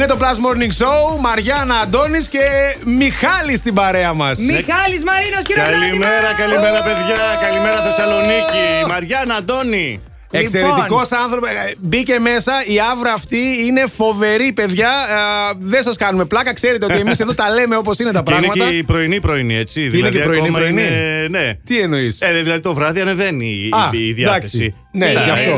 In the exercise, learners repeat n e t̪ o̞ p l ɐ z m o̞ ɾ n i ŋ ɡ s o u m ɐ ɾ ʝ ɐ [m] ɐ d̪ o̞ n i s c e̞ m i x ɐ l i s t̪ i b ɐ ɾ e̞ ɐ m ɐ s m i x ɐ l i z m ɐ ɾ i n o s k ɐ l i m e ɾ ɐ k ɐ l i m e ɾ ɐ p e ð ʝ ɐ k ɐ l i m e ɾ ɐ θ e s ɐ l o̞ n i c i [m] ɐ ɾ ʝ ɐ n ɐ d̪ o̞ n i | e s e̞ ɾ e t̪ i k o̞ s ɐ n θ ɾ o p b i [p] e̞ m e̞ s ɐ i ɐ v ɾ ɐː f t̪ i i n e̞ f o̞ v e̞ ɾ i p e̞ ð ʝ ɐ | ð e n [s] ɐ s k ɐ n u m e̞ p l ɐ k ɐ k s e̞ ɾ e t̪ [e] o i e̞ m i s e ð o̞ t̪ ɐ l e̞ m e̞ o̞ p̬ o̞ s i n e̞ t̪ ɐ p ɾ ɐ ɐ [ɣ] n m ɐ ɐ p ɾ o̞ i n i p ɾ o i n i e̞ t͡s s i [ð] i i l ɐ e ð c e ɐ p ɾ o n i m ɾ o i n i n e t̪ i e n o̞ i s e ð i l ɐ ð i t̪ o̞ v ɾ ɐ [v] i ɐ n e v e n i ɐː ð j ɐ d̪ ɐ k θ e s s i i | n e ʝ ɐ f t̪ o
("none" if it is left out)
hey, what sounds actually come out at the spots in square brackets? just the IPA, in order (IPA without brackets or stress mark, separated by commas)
n, m, c, s, e, ɣ, ð, ð